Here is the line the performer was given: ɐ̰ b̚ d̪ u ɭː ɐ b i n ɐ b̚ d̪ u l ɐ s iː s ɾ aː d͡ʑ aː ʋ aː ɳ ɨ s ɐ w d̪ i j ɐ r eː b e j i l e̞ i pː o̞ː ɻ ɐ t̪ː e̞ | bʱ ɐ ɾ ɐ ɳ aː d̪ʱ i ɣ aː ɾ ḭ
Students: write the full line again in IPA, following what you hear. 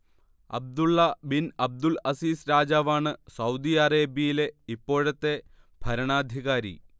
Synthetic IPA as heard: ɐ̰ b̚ d̪ u ɭː ɐ b i n ɐ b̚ d̪ u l ɐ s iː s ɾ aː d͡ʑ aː ʋ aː ɳ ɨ s ɐ w d̪ i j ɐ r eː b i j i l e̞ i pː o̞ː ɻ ɐ t̪ː e̞ | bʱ ɐ ɾ ɐ ɳ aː d̪ʱ i ɣ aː ɾ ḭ